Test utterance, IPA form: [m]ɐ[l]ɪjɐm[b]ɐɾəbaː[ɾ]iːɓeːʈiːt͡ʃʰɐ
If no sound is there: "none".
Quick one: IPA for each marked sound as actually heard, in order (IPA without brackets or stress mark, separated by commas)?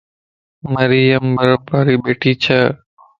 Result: m, ɾ, b, ɾ